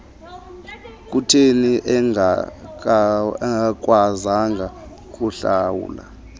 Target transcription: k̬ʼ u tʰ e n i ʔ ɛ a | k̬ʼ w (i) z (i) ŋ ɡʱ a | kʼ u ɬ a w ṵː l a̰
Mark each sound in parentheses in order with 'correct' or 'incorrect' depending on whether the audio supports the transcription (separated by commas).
incorrect, incorrect